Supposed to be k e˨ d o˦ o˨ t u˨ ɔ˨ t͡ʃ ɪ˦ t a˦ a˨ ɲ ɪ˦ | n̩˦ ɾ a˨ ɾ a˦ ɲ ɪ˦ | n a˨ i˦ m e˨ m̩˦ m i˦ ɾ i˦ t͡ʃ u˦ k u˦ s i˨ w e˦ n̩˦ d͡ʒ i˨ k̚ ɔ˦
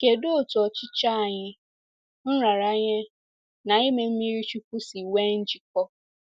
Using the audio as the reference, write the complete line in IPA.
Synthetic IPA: k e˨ d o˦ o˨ t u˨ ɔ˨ t͡ʃ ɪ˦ t͡ʃ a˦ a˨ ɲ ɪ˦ | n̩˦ ɾ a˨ ɾ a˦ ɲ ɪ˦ | n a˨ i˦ m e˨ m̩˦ m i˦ ɾ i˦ t͡ʃ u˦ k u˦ s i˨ w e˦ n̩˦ d͡ʒ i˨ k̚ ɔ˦